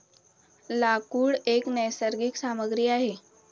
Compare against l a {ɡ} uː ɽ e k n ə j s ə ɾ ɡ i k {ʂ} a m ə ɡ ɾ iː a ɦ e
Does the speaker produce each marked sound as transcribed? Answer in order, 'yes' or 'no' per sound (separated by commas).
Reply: no, no